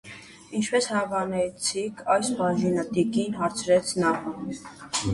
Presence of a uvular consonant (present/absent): absent